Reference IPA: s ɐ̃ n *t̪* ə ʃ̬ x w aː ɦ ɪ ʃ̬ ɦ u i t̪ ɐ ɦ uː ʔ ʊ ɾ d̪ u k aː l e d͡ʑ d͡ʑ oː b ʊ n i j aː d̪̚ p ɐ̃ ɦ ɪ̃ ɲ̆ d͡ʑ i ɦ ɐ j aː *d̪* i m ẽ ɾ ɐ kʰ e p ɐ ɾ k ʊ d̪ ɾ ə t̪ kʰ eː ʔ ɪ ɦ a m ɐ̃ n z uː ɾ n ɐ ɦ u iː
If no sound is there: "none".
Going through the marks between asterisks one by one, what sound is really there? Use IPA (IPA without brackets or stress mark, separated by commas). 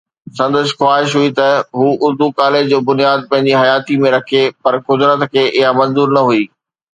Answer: d̪, t̪